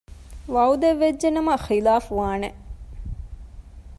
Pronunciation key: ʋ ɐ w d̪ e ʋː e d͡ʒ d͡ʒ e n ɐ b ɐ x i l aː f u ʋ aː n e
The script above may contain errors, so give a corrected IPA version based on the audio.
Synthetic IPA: ʋ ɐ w d̪ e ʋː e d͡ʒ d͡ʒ e n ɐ m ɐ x i l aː f u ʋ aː n e